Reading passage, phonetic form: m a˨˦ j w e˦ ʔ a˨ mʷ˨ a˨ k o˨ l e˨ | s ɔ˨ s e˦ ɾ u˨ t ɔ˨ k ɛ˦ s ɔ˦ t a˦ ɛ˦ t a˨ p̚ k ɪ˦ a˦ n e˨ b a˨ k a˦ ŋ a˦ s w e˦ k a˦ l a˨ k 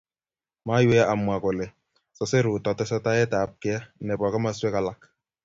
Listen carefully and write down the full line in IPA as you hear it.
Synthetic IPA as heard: m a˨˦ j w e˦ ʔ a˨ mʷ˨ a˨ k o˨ l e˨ | s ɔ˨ s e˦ ɾ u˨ t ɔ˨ t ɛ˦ s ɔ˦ t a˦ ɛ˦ t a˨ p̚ k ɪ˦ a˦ n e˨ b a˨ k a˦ m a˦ s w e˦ k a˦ l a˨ k

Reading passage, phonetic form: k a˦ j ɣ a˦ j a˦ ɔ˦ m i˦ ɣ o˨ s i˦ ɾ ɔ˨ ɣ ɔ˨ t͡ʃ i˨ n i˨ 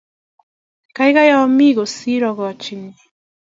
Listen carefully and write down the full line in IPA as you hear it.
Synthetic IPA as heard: k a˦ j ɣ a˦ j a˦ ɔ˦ m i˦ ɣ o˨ s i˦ ɾ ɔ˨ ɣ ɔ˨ t͡ʃ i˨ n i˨

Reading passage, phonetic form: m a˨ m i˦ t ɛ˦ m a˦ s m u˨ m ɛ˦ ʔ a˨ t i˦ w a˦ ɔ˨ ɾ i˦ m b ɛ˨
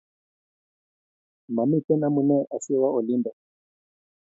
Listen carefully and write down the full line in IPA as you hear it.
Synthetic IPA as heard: m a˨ m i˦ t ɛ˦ n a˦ m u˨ n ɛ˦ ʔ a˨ s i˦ w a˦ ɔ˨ l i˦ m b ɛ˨

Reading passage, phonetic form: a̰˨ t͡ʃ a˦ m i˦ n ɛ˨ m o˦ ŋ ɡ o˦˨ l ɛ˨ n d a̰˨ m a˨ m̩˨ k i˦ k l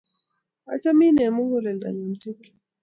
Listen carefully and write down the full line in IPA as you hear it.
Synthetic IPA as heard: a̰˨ t͡ʃ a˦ m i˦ n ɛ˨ m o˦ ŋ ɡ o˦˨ l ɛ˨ n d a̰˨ ɲ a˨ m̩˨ t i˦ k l

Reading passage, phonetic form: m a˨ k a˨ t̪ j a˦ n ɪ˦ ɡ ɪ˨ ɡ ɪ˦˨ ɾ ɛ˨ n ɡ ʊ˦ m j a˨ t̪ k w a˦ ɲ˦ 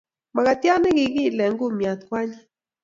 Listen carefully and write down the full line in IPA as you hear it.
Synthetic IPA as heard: m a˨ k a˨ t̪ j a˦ n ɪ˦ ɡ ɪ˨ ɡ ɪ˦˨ l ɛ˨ ŋ ɡ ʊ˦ m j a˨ t̪ k w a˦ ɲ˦

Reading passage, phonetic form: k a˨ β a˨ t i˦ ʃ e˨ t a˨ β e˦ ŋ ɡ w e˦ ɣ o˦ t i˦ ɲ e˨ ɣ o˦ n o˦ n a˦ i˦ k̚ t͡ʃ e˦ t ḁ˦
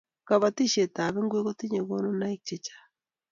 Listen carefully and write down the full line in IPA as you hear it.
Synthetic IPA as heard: k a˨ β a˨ t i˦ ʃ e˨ t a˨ β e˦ ŋ ɡ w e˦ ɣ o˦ t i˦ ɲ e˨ ɣ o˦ n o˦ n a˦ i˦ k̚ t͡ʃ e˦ t͡ʃ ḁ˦

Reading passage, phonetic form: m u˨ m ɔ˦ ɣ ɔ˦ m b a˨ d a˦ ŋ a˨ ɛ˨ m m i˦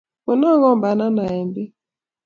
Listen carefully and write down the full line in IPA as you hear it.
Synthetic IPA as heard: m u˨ n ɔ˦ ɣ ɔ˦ m b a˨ n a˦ n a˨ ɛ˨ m b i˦

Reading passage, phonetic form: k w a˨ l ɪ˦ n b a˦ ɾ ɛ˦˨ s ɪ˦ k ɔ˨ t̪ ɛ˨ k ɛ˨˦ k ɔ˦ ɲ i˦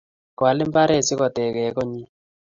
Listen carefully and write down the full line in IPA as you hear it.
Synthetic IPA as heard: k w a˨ l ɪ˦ m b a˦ ɾ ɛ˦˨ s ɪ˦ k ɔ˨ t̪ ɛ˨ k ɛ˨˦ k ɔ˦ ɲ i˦

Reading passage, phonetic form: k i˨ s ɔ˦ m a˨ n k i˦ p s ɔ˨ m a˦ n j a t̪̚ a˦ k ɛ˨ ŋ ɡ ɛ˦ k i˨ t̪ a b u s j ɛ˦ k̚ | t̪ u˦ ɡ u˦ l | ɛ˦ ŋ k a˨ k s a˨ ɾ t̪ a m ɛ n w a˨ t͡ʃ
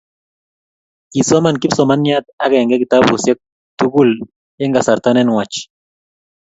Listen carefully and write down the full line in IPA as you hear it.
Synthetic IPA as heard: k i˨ s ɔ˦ m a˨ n k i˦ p s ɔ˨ m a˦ n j a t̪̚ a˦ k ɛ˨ ŋ ɡ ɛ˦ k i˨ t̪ a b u s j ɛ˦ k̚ | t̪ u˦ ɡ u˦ l | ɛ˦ ŋ ɡ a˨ s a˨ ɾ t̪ a n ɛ n w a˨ t͡ʃ

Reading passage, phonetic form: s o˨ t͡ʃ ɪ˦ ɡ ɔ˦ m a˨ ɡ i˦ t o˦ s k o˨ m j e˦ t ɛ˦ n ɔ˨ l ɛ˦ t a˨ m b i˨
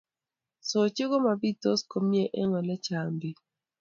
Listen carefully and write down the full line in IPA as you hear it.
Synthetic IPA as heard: s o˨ t͡ʃ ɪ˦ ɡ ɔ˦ m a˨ b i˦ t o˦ s k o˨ m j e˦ ʔ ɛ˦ ŋ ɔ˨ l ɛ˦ t͡ʃ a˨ m b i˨

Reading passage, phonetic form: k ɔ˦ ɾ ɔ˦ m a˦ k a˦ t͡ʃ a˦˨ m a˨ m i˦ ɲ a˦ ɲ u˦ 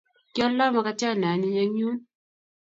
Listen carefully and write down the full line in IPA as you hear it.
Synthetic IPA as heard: k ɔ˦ l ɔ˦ m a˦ k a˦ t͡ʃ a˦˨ n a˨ n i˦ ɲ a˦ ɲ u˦

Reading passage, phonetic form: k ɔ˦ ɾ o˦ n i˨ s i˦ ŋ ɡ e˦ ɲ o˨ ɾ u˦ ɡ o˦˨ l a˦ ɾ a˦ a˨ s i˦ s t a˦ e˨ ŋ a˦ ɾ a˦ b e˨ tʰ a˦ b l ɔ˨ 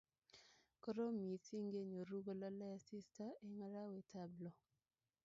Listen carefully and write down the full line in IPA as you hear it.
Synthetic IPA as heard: k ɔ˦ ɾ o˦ m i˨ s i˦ ŋ ɡ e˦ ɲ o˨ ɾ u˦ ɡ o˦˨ l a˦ l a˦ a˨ s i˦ s t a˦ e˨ ŋ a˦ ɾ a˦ w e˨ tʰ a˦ b l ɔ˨

